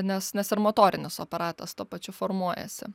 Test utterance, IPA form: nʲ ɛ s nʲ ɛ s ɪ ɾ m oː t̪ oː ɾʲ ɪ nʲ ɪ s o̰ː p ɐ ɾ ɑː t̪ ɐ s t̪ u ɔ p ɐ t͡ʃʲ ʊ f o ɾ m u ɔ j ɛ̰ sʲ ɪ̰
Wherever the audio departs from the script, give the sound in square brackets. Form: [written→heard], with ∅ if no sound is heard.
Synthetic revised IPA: nʲ ɛ s nʲ ɛ s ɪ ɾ m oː t̪ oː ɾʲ ɪ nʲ ɪ s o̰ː p ɐ ɾ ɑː t̪ ɐ s t̪ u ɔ p ɐ t͡ʃʲ ʊ f o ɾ m u ɔ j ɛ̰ sʲ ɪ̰